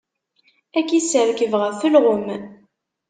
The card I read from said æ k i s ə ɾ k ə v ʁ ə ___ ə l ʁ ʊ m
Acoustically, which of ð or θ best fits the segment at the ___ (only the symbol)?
θ